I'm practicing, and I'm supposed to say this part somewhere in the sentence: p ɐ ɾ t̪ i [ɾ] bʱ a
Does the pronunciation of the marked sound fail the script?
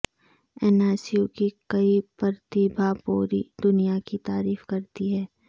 yes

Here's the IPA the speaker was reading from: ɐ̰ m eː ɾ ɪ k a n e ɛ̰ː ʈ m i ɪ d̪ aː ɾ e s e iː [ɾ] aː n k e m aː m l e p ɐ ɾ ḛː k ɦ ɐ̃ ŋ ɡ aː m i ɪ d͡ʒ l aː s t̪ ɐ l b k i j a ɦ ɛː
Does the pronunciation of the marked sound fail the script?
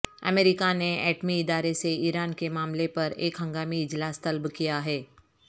no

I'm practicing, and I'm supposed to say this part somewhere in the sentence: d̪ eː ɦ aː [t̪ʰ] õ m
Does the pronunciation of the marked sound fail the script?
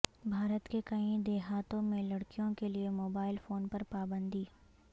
yes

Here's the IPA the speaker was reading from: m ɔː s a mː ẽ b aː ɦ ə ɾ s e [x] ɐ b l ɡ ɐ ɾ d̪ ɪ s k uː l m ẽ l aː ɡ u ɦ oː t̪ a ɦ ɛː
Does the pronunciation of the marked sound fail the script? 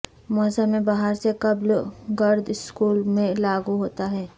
yes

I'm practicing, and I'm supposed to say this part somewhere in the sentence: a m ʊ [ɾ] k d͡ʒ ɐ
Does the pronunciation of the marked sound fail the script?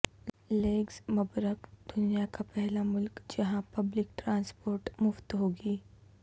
yes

